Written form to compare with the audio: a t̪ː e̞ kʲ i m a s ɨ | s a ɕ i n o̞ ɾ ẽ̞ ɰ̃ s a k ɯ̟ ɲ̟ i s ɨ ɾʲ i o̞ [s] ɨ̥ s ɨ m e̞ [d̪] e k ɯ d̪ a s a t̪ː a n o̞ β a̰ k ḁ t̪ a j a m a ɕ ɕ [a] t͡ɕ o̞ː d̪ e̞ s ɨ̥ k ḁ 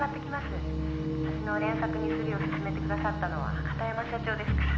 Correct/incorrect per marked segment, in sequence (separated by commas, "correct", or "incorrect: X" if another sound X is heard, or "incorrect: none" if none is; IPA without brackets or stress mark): correct, incorrect: t̪, correct